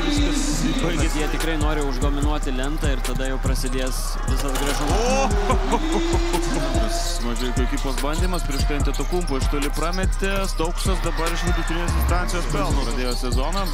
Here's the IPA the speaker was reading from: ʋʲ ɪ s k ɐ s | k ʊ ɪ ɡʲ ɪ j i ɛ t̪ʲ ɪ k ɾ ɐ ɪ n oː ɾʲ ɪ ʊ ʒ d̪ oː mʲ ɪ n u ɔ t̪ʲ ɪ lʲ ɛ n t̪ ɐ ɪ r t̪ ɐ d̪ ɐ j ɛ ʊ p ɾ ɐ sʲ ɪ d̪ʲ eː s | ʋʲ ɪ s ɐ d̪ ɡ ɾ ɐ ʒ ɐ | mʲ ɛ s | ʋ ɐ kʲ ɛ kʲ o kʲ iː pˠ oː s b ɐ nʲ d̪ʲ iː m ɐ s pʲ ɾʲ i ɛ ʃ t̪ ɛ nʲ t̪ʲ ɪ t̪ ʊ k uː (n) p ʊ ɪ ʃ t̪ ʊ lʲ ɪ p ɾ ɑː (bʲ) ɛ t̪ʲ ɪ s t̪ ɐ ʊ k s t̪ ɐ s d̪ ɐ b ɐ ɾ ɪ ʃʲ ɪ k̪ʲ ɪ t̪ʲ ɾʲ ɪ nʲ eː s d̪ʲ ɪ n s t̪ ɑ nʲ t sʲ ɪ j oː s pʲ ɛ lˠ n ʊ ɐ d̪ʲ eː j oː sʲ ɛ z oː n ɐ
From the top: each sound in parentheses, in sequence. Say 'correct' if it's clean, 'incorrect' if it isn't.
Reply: incorrect, incorrect

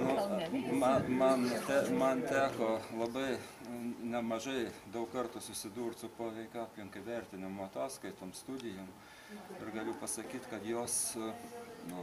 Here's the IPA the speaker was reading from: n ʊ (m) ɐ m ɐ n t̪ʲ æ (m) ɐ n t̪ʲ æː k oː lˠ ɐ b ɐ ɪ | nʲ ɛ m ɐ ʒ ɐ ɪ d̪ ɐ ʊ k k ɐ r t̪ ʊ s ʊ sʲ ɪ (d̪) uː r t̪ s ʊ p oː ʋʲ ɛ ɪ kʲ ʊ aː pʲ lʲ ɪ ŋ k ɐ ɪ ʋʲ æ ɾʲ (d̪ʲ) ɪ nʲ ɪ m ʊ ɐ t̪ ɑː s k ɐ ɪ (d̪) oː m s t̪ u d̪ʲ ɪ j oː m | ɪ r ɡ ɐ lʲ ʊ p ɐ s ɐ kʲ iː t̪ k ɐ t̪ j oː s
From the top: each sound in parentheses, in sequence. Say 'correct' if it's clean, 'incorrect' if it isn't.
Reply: correct, correct, correct, incorrect, incorrect

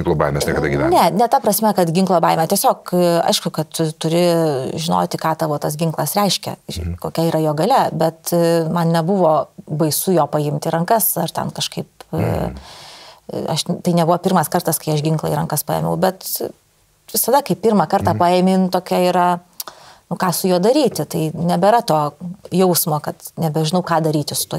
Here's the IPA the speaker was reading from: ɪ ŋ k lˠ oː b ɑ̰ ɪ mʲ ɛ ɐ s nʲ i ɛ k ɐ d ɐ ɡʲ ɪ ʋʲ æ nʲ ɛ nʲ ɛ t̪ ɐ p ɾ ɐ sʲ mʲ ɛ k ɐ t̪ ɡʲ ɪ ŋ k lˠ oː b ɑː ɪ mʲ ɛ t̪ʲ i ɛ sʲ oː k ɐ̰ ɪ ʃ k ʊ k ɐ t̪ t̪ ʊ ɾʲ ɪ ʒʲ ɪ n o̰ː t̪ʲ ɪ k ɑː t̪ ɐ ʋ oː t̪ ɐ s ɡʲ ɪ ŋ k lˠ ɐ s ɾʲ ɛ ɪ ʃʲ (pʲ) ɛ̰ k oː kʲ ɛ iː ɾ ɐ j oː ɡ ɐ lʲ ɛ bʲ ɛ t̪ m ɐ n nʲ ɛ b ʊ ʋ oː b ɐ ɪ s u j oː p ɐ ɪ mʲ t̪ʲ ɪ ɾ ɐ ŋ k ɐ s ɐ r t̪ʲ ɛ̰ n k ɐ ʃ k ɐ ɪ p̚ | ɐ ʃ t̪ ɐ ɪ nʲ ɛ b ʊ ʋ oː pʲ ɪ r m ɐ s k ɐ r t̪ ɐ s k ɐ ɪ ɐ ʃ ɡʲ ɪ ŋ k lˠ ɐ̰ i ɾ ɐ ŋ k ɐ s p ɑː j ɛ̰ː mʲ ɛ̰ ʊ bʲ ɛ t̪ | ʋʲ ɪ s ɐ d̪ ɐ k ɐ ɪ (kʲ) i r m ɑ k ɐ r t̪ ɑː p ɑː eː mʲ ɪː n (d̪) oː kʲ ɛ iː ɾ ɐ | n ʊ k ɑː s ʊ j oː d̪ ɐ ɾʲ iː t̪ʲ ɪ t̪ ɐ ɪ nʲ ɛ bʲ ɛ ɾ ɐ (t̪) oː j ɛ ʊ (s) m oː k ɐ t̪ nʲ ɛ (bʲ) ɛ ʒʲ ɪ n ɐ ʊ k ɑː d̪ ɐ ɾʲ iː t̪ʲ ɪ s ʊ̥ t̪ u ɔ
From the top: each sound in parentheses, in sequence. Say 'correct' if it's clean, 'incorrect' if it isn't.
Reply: incorrect, incorrect, incorrect, correct, correct, correct

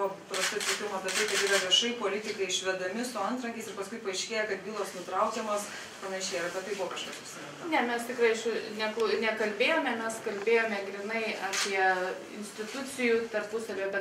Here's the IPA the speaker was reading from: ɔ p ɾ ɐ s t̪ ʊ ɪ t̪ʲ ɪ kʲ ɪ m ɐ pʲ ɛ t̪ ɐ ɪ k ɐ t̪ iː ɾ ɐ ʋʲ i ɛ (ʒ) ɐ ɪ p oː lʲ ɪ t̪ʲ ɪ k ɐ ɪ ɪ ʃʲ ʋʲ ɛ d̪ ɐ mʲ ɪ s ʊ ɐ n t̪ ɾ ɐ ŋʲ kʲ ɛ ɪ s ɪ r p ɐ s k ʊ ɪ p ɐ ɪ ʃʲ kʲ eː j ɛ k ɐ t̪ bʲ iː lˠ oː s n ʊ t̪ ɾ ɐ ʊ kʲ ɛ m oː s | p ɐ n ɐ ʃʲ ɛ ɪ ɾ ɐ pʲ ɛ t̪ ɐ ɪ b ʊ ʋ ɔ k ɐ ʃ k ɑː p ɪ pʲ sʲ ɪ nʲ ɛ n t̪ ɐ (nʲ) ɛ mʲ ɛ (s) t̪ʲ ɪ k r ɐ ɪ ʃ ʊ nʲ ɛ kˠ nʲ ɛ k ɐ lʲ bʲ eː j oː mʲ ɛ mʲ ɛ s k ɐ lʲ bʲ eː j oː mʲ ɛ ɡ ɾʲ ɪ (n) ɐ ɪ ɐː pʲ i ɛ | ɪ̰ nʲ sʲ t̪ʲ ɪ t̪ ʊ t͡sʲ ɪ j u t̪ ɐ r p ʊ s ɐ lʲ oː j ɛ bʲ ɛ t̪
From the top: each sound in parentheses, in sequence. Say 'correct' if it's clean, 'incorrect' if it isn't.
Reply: incorrect, correct, correct, correct

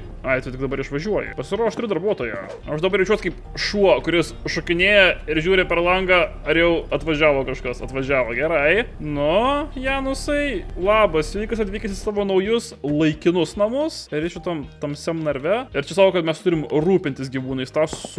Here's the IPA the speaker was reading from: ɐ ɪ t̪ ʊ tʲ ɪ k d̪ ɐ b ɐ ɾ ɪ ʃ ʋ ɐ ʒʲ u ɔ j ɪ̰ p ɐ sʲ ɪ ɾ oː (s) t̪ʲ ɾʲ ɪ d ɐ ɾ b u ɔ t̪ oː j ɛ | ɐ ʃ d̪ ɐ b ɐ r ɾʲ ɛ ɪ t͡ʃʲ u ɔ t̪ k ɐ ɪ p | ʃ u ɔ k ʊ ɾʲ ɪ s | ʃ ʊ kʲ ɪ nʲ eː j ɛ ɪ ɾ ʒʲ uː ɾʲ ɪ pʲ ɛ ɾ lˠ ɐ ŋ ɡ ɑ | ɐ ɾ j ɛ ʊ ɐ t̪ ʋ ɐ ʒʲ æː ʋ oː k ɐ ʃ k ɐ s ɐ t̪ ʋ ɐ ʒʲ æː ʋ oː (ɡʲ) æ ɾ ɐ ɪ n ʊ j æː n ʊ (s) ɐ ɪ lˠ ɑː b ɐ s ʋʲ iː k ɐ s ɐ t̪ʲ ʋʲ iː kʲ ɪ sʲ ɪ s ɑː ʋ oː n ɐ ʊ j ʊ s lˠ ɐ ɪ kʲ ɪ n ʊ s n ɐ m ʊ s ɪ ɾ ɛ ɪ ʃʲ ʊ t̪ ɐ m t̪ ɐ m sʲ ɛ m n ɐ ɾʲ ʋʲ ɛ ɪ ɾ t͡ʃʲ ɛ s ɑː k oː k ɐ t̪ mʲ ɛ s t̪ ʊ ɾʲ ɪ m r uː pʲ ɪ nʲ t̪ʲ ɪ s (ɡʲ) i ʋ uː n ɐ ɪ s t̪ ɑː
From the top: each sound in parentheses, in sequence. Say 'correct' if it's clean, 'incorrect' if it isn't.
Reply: incorrect, correct, correct, correct

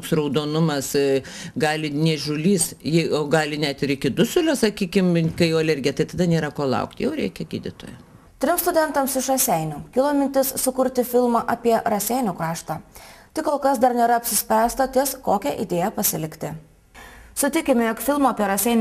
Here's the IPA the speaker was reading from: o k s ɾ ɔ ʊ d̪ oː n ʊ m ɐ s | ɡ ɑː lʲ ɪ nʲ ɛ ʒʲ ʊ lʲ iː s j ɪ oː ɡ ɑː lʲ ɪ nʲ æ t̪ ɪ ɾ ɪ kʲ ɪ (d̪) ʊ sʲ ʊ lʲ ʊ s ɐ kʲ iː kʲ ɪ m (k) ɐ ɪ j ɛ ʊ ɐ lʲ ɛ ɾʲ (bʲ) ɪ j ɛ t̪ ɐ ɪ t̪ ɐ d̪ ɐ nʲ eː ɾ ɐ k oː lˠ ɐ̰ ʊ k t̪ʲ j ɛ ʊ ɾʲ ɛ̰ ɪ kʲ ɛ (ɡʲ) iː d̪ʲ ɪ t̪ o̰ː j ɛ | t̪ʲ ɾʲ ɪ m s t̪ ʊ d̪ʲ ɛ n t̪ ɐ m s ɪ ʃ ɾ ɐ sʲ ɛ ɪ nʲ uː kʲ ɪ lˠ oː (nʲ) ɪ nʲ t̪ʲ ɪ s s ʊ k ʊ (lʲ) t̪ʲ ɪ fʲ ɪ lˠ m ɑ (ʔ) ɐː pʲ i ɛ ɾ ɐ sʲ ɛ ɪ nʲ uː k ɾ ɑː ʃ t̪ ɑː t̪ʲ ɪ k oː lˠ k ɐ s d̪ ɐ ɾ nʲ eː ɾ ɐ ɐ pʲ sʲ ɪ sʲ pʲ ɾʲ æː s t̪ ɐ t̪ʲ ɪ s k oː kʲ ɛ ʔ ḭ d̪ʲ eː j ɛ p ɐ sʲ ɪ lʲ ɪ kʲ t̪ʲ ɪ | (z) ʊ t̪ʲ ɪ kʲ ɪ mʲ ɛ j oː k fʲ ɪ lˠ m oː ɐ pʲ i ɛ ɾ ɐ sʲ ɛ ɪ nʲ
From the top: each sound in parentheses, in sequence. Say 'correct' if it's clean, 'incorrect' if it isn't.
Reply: correct, correct, incorrect, correct, incorrect, incorrect, correct, incorrect

